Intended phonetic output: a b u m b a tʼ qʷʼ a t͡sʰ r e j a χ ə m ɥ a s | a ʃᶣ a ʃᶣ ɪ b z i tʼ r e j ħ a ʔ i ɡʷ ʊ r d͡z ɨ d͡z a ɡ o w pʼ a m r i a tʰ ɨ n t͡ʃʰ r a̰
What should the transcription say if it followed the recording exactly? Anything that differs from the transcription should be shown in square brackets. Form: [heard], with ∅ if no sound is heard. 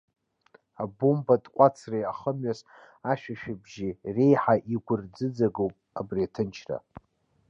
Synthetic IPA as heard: a b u m b a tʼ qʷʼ a t͡sʰ r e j a χ ə m ɥ a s | a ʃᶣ a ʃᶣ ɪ b [ʒ] i [∅] r e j ħ a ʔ i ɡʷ ʊ r d͡z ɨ d͡z a ɡ o w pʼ a [b] r i a tʰ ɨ n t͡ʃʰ r a̰